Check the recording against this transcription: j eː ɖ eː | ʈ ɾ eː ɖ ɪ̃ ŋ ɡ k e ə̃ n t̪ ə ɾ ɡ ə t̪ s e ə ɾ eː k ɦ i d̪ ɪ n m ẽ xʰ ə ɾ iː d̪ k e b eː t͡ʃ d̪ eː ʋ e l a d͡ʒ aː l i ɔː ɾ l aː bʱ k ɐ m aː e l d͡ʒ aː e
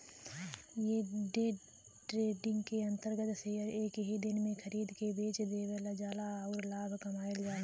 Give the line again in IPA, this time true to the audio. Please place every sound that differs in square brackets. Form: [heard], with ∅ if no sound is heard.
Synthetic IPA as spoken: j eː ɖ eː | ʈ ɾ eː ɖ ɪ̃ ŋ ɡ k e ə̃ n t̪ ə ɾ ɡ ə t̪ s e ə ɾ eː k ɦ i d̪ ɪ n m ẽ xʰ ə ɾ iː d̪ k e b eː t͡ʃ d̪ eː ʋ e l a d͡ʒ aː l [a] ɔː ɾ l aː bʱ k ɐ m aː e l d͡ʒ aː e